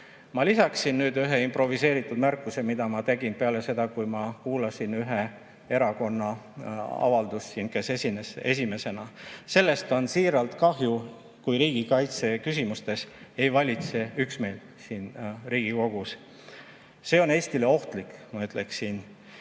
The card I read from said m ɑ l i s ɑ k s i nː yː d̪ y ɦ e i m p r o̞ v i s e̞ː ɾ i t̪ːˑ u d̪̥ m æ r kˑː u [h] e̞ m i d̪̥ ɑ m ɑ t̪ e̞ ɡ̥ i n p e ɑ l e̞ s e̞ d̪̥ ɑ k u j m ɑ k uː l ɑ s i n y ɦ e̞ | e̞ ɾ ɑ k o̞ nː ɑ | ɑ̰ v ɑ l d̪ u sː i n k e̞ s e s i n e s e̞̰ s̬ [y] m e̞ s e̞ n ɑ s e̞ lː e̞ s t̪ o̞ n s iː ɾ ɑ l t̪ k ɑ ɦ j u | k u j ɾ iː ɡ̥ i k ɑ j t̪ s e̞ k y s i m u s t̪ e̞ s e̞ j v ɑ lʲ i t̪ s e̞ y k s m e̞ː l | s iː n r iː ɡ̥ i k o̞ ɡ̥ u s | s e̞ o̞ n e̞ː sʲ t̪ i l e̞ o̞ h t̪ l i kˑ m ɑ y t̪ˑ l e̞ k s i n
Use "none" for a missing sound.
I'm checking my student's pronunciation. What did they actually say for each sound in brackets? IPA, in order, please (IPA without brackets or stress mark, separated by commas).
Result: s, i